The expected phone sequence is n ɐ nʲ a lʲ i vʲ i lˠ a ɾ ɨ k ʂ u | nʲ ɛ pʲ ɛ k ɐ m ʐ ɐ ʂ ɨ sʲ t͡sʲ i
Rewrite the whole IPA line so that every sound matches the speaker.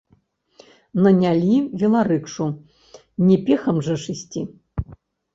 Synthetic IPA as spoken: n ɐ nʲ a lʲ i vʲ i lˠ a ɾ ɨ k ʂ u | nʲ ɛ pʲ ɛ x ɐ m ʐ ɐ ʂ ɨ sʲ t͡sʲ i